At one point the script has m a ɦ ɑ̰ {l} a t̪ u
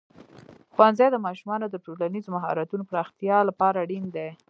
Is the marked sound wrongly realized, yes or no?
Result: yes